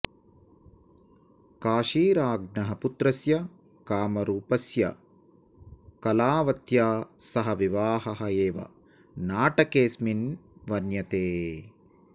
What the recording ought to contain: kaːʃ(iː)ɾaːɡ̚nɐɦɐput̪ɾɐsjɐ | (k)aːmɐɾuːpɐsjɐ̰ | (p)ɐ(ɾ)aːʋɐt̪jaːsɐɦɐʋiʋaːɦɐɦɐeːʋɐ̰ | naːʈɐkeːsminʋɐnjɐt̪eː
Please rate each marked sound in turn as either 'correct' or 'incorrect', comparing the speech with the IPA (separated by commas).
correct, correct, incorrect, incorrect